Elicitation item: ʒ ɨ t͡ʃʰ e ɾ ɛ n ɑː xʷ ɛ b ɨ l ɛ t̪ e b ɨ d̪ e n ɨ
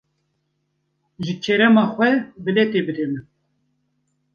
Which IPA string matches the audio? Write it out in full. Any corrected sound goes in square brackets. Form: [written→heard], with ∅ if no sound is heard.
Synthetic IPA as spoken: ʒ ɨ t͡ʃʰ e ɾ ɛ [n→m] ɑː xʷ ɛ b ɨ l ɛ t̪ e b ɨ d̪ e [n→m] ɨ